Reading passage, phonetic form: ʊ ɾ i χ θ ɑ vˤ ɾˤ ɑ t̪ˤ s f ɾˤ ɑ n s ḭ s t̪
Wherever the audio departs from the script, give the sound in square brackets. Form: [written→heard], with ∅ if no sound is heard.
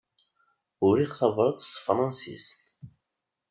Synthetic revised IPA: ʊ ɾ i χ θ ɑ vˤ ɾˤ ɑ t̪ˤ s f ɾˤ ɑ n s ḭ s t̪